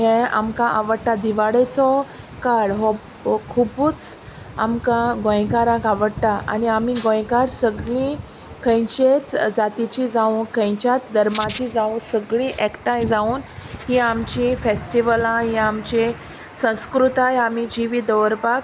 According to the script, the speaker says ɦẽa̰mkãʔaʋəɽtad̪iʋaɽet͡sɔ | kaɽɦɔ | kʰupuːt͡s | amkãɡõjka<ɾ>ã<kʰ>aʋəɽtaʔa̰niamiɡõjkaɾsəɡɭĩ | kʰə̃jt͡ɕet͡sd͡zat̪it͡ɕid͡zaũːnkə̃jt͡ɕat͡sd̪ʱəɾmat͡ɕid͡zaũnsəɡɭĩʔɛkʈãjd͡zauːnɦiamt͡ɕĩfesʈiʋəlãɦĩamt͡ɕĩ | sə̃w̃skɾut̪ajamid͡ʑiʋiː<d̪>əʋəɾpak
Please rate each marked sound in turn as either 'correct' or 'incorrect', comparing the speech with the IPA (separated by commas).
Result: correct, incorrect, correct